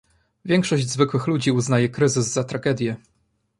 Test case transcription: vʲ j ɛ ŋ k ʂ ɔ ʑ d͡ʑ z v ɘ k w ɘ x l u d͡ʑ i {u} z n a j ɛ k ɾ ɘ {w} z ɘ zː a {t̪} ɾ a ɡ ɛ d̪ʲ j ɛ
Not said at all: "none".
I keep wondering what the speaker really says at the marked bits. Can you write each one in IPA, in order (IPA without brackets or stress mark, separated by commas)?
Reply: u, none, t̪